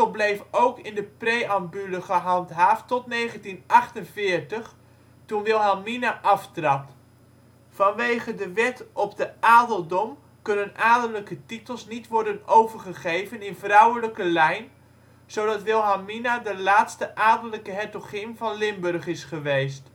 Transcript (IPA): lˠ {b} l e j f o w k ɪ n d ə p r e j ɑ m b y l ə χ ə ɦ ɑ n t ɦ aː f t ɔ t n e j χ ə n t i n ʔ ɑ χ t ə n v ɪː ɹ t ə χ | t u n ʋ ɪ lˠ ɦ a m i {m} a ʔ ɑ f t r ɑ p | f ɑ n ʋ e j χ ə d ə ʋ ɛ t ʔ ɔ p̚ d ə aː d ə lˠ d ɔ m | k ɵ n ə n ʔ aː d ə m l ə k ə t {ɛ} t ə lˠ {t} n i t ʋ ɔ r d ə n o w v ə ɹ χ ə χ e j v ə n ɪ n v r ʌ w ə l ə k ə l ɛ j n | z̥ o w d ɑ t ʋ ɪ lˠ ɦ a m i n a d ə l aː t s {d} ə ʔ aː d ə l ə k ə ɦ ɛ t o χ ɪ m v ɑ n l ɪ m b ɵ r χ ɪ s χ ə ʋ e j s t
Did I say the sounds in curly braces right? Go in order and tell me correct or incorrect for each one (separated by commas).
correct, incorrect, incorrect, incorrect, incorrect